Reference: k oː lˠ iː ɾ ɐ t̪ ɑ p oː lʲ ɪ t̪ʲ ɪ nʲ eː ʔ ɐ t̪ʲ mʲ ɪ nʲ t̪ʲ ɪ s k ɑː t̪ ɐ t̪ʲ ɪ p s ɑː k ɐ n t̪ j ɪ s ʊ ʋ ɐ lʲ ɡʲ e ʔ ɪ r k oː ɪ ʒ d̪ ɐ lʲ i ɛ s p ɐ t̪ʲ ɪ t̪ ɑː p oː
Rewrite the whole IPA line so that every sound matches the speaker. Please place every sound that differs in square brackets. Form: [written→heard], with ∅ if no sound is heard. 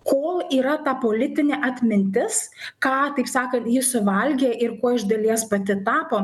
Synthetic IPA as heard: k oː lˠ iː ɾ ɐ t̪ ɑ p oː lʲ ɪ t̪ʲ ɪ nʲ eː ʔ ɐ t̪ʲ mʲ ɪ nʲ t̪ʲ ɪ s k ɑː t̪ ɐ [t̪ʲ→∅] ɪ p s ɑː k ɐ n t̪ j ɪ s ʊ ʋ ɐ lʲ ɡʲ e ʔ ɪ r k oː ɪ ʒ d̪ ɐ lʲ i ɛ s p ɐ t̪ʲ ɪ t̪ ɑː p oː